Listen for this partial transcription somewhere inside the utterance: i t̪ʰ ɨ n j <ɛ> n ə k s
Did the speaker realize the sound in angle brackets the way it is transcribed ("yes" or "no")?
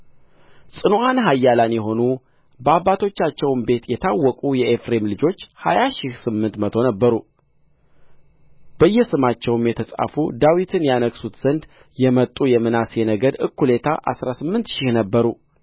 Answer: no